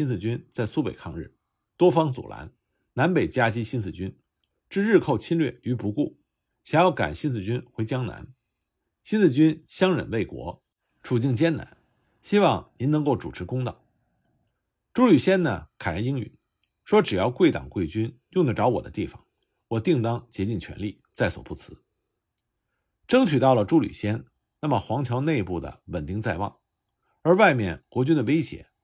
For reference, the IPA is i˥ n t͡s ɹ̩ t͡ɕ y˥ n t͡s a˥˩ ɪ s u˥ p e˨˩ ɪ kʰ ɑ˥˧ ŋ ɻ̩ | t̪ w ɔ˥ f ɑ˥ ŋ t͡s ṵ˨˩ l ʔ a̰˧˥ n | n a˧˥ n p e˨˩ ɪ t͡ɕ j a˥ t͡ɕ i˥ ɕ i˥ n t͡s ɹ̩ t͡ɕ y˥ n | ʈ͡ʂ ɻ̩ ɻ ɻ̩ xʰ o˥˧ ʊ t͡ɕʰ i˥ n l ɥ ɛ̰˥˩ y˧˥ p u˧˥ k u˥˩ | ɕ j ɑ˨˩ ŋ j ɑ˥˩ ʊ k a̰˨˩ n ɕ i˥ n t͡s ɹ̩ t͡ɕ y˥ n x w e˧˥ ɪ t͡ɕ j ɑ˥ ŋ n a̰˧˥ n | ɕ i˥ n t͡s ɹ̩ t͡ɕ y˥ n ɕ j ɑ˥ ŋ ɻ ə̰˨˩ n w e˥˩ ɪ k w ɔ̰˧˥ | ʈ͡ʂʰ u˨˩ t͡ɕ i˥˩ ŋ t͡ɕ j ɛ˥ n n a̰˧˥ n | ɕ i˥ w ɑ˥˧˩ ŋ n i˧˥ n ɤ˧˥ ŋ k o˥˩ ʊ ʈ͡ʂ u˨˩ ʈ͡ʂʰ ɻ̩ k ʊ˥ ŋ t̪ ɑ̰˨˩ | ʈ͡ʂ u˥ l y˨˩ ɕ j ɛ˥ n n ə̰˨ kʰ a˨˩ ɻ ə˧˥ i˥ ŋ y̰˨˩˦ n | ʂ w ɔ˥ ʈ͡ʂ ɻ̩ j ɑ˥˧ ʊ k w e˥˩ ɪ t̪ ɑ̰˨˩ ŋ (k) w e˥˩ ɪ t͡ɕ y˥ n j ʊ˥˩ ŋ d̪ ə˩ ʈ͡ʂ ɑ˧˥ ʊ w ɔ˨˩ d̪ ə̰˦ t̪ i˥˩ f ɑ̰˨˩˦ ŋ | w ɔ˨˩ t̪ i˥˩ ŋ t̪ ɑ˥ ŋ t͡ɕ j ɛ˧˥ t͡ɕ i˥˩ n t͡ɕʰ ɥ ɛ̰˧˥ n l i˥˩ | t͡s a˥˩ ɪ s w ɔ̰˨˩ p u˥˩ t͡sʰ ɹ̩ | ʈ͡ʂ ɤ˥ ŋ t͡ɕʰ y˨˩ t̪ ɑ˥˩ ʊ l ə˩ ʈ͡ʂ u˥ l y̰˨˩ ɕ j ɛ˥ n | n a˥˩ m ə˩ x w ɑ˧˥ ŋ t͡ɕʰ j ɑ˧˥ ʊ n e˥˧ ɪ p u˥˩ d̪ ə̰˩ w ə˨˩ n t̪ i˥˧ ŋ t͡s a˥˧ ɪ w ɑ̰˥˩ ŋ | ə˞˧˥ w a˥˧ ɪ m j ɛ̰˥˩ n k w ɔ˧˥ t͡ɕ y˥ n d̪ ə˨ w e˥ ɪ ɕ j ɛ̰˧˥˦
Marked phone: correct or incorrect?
correct